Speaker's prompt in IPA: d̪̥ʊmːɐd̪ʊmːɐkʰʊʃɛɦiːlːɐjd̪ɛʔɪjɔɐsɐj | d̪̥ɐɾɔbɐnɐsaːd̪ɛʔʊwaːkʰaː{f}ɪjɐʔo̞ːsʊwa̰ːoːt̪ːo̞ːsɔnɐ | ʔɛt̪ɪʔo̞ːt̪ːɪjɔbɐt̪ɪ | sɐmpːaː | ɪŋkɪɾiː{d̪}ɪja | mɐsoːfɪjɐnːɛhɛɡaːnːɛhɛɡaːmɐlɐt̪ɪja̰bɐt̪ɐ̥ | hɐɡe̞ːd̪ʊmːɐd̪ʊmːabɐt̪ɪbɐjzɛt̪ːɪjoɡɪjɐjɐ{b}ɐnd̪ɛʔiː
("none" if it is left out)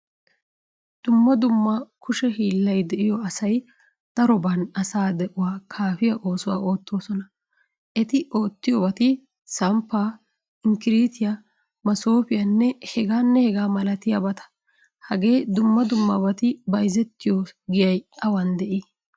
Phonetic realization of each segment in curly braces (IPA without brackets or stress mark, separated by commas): f, t̪, w